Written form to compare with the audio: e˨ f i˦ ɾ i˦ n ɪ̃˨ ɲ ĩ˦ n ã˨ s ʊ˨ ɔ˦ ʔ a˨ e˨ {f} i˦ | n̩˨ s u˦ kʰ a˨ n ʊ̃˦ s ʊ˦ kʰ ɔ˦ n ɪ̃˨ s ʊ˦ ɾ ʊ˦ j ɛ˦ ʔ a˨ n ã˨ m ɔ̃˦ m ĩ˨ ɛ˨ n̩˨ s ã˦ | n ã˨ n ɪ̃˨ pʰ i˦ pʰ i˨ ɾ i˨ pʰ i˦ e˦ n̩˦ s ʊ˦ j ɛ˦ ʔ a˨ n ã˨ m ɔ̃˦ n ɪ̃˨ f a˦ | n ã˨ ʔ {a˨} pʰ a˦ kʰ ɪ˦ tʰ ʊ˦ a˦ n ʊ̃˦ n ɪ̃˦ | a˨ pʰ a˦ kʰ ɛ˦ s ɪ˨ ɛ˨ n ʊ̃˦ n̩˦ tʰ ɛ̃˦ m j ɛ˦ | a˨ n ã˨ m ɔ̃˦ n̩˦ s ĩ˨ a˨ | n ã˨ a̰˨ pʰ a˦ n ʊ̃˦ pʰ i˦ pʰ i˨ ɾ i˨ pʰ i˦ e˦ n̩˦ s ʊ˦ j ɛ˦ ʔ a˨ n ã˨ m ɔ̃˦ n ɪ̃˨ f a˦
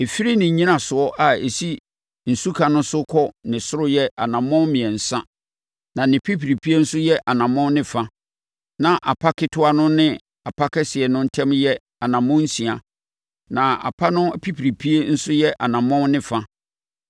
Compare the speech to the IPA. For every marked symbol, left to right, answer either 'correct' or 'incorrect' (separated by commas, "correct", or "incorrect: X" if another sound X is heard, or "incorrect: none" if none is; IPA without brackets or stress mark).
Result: incorrect: s, correct